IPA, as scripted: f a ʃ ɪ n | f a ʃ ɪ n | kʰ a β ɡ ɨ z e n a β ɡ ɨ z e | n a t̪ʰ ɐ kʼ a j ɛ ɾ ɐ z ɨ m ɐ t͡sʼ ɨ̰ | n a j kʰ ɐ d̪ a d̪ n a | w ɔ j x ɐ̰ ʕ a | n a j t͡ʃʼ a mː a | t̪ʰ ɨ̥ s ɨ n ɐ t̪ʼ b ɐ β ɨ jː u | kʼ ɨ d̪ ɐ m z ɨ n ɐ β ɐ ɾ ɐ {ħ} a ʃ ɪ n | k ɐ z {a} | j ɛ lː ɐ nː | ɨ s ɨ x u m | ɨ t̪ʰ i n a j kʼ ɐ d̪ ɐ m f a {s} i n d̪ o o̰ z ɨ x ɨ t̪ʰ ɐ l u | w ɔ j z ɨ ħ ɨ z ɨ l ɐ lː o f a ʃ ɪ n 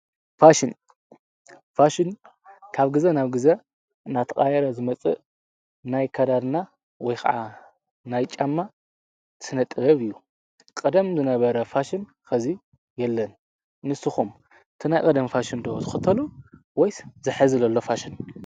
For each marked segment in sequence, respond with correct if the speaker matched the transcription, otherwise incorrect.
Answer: incorrect: f, incorrect: i, incorrect: ʃ

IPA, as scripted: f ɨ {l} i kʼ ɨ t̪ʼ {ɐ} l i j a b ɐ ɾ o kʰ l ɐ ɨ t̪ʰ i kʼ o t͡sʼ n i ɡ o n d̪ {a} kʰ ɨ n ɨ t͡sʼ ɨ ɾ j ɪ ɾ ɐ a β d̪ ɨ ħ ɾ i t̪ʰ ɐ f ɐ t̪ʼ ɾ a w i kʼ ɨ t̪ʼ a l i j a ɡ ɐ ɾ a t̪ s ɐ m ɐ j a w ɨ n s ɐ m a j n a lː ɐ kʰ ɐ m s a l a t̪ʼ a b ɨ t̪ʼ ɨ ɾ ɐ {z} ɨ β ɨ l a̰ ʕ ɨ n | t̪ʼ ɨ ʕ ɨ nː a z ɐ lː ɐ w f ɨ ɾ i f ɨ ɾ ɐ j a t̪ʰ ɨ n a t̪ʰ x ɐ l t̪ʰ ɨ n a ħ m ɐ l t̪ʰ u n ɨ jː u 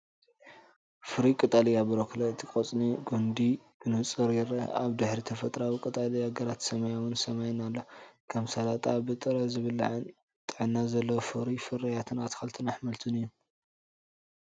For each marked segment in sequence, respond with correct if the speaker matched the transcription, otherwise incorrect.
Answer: incorrect: ɾ, incorrect: a, incorrect: i, correct

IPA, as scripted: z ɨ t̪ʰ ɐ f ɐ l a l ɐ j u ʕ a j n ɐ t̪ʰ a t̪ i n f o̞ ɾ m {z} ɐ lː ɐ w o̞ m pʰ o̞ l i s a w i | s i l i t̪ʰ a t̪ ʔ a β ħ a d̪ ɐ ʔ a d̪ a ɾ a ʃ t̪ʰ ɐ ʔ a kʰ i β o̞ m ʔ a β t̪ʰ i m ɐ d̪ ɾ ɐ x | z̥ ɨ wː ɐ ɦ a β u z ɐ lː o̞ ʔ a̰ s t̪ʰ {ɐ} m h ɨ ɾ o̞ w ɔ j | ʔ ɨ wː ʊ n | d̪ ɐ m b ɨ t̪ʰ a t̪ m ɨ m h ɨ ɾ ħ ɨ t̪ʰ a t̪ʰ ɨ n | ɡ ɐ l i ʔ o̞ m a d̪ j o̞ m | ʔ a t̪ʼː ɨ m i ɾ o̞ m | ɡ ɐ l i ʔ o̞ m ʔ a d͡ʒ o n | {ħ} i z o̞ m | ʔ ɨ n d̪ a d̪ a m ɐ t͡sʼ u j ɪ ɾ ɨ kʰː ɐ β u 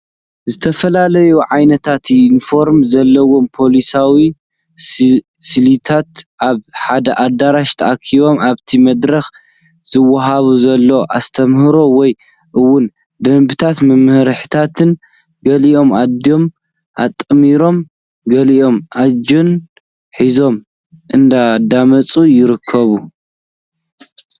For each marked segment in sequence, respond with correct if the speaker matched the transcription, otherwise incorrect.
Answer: correct, correct, correct

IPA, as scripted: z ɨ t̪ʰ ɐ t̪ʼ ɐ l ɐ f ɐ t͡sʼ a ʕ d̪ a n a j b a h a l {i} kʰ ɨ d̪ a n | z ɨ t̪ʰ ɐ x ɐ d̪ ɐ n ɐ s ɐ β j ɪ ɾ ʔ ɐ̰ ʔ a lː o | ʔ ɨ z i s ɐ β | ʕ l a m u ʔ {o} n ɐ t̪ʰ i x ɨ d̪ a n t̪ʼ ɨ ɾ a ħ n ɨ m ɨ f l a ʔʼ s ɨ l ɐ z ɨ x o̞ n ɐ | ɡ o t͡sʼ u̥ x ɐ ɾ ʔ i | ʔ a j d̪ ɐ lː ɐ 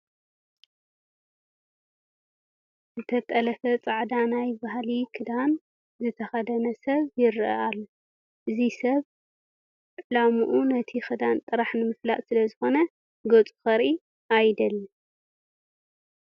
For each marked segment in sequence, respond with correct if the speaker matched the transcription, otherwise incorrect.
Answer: correct, incorrect: u

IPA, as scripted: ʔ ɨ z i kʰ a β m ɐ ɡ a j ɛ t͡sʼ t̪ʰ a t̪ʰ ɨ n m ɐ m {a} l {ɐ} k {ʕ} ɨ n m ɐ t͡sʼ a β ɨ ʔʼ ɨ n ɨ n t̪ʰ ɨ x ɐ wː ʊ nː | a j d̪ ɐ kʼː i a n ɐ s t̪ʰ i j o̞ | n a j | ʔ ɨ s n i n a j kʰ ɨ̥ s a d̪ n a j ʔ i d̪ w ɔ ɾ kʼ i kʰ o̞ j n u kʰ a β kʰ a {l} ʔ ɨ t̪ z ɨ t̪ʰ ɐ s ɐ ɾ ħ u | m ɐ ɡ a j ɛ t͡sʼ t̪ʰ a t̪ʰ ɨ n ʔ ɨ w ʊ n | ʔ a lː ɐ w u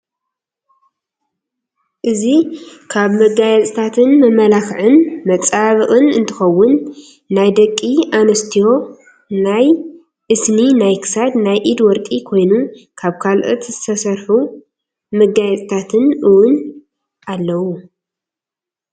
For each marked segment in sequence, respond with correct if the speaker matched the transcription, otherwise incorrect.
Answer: incorrect: ɐ, incorrect: a, correct, correct

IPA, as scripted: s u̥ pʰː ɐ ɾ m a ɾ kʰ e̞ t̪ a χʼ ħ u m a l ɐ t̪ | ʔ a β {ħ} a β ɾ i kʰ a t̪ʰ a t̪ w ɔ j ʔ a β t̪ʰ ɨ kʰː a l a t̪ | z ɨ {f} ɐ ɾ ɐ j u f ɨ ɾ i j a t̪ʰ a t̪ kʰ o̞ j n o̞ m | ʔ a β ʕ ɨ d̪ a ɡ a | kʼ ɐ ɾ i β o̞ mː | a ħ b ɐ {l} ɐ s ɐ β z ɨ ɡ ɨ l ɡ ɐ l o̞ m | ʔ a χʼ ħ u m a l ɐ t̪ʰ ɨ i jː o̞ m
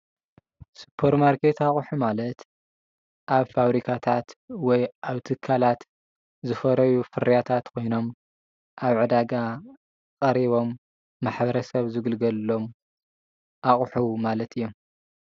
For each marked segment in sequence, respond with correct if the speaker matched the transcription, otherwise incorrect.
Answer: incorrect: f, correct, incorrect: ɾ

